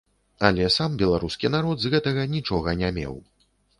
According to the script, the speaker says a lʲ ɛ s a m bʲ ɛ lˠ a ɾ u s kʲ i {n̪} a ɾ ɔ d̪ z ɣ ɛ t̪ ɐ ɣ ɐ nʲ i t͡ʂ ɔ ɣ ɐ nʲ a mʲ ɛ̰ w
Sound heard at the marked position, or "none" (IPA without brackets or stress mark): n̪